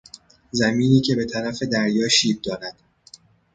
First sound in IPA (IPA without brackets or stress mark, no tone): z